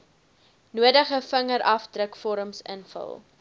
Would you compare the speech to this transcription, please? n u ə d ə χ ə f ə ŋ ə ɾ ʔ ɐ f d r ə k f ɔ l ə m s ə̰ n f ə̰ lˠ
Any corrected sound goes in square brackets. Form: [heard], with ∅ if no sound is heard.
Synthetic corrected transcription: n u ə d ə χ ə f ə ŋ ə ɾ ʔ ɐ f d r ə k f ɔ [ɾ] ə m s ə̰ n f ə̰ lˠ